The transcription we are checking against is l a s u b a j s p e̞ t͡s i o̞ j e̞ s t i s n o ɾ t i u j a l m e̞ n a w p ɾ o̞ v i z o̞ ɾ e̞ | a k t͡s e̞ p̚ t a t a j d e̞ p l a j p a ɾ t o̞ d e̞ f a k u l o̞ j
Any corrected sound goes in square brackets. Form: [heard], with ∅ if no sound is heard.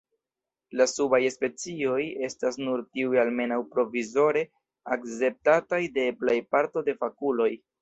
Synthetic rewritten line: l a s u b a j s p e̞ t͡s i o̞ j e̞ s t [a] s n [u] ɾ t i u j a l m e̞ n a w p ɾ o̞ v i z o̞ ɾ e̞ | a k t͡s e̞ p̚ t a t a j d e̞ p l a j p a ɾ t o̞ d e̞ f a k u l o̞ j